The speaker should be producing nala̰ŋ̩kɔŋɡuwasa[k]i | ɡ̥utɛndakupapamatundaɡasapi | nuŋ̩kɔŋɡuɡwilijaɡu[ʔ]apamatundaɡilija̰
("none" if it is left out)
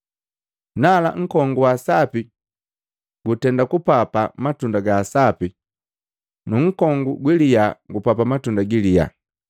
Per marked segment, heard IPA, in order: p, p

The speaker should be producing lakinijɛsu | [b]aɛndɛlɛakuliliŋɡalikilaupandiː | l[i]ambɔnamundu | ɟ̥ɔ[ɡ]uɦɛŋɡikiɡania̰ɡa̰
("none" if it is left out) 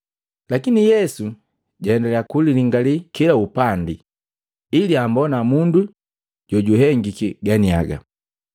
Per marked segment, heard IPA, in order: ɟ, i, ɟ

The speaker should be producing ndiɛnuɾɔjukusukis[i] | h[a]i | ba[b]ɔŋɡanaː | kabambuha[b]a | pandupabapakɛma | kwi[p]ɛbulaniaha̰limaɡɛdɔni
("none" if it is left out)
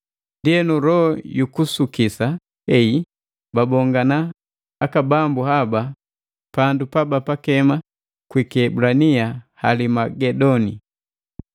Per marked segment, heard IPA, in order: a, ɛ, b, b, k

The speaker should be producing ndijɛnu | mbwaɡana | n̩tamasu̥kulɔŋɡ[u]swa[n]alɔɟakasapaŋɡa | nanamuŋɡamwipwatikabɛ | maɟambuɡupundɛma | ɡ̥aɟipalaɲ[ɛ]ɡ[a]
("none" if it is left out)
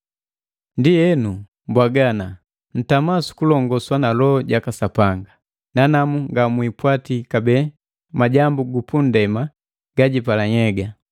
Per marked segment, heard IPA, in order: ɔ, n, ɛ, a

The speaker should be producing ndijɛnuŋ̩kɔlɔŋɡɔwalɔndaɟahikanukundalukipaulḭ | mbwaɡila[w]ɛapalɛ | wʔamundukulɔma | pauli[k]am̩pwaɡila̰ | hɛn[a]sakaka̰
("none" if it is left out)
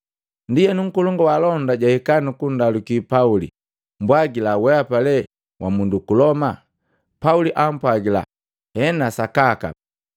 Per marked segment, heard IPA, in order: w, ʔ, a

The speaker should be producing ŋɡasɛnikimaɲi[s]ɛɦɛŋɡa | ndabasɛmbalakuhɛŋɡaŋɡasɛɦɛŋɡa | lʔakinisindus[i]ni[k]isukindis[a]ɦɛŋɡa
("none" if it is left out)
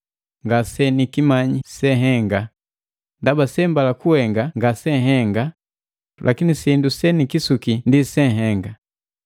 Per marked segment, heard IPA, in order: s, ɛ, k, ɛ

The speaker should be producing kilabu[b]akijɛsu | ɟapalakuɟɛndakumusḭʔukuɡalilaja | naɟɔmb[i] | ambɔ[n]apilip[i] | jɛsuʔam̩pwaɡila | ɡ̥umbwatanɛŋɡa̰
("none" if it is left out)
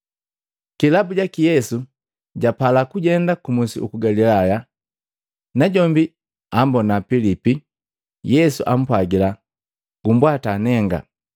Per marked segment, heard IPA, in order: ɟ, i, n, i

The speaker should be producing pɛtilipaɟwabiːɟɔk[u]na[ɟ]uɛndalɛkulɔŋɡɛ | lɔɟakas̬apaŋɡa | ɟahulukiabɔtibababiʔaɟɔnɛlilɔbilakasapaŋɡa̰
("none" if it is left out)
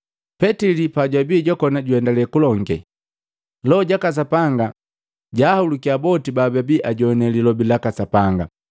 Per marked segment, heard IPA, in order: ɔ, ɟ

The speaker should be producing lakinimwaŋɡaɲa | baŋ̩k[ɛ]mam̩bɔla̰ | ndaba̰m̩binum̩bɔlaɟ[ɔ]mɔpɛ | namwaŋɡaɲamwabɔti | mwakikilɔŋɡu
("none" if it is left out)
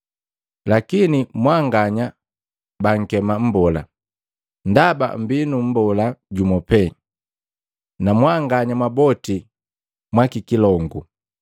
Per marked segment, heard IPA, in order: ɛ, u

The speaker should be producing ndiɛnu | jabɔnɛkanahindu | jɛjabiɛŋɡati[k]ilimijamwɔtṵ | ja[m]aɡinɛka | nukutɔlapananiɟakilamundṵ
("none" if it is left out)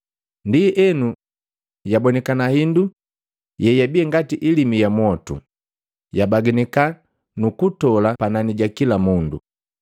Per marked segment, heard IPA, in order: ʔ, b

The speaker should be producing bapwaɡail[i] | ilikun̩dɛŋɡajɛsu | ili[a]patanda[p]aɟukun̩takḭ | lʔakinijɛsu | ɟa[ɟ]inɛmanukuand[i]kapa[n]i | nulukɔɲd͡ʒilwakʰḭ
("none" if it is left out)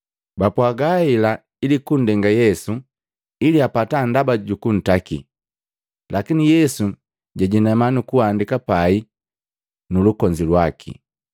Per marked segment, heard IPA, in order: a, a, b, ɟ, i, none

